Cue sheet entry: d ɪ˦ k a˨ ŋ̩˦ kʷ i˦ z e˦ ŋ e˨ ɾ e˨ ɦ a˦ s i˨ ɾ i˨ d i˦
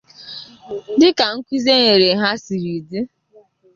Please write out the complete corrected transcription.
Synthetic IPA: d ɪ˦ k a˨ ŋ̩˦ kʷ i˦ z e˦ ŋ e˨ ɾ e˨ ɦ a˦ s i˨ ɾ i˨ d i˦